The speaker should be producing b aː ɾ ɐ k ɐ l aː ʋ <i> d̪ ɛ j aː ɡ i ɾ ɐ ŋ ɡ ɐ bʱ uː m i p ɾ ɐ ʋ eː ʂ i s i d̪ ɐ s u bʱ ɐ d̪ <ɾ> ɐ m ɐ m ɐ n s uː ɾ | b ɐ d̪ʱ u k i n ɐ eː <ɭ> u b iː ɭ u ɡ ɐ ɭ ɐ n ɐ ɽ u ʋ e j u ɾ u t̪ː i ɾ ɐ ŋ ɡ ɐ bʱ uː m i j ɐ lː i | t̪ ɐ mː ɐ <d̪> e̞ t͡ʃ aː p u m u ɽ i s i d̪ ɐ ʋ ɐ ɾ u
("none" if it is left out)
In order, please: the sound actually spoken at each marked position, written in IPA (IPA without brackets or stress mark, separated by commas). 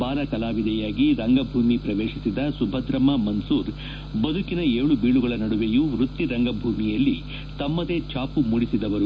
i, ɾ, ɭ, d̪